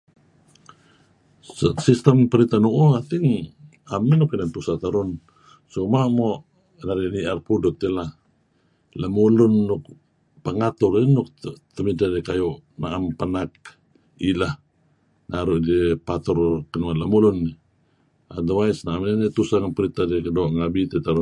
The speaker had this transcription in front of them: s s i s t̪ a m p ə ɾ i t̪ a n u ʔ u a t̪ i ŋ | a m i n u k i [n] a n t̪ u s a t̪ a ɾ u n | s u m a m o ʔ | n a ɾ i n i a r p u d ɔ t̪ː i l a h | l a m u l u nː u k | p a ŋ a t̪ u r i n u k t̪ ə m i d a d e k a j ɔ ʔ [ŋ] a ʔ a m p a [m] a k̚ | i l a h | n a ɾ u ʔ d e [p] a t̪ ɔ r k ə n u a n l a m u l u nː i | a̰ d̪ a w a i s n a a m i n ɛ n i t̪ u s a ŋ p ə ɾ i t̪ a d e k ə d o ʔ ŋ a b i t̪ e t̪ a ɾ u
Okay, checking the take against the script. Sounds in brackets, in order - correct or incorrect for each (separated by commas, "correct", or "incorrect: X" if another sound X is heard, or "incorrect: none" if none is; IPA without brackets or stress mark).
correct, incorrect: n, incorrect: n, correct